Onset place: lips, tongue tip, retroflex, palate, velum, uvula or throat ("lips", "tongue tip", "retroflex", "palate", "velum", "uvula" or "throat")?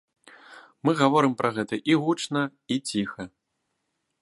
lips